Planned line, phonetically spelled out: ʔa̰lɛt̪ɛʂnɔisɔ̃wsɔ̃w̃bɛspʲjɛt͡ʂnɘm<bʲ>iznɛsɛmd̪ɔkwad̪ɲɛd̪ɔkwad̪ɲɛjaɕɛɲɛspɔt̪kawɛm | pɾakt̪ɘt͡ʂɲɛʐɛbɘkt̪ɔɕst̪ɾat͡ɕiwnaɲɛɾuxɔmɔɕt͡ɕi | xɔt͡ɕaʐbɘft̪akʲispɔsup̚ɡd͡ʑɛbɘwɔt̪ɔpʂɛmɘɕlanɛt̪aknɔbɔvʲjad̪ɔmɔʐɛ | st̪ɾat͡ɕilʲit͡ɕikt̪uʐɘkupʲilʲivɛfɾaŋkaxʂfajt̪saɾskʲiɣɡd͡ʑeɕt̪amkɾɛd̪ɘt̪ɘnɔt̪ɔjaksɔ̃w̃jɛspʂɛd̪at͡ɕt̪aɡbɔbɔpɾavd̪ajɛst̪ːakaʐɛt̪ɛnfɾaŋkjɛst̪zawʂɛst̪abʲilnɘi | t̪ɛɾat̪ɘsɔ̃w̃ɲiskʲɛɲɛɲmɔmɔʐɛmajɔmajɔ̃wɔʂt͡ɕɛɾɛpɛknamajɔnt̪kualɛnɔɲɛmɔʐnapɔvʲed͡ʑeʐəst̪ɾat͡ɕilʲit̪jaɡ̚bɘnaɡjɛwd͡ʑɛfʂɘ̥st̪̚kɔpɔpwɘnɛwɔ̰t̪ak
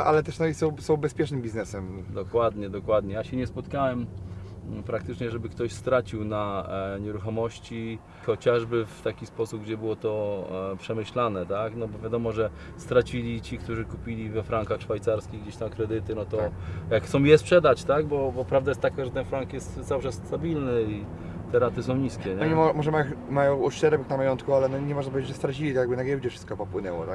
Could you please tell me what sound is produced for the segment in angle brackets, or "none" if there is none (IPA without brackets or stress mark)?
bʲ